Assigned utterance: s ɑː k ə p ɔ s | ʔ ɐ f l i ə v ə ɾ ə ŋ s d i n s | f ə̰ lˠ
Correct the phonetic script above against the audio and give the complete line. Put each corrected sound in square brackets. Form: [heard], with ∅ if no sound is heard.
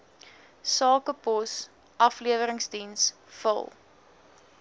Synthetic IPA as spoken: s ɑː k ə p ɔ s | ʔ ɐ f l i ə v ə ɾ ə ŋ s d i n s | f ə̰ lˠ